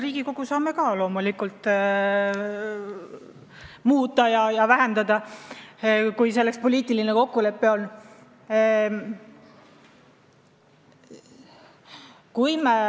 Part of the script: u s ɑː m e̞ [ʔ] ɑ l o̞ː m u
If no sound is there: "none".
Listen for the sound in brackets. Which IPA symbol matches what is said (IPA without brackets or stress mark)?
k